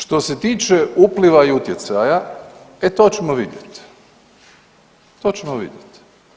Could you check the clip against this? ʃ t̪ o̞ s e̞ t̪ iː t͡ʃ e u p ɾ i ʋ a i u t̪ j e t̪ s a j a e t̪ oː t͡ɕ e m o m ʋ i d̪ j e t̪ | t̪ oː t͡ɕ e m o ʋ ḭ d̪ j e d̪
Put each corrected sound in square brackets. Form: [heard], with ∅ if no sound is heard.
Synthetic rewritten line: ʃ t̪ o̞ s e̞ t̪ iː t͡ʃ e u p [l] i ʋ a i u t̪ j e t̪ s a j a e t̪ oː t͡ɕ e m o [∅] ʋ i d̪ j e t̪ | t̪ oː t͡ɕ e m o ʋ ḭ d̪ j e [t̪]